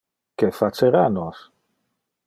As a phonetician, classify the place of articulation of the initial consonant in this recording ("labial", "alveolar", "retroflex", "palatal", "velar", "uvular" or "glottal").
velar